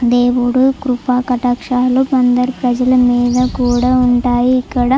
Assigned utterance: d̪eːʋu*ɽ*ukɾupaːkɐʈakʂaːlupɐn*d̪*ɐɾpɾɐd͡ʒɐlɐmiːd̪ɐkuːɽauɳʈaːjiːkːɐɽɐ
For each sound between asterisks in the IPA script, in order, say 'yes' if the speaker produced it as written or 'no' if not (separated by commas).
yes, yes